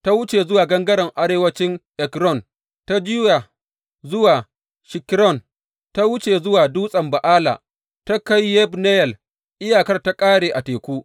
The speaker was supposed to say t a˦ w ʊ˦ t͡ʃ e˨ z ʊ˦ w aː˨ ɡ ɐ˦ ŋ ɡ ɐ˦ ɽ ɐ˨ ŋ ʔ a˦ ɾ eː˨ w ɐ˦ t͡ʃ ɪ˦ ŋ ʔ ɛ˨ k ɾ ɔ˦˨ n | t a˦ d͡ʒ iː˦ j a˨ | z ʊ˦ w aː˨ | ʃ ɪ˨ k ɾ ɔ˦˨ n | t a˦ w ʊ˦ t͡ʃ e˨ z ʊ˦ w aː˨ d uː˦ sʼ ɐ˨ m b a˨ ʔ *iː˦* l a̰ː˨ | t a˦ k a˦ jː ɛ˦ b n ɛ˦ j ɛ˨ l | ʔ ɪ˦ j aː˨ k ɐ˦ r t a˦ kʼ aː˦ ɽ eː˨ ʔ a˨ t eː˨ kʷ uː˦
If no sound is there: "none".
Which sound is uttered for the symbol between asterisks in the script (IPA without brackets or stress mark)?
aː˦